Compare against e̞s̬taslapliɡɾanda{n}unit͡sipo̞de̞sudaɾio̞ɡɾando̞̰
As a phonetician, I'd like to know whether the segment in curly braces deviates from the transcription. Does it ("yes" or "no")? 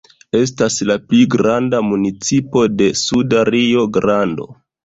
yes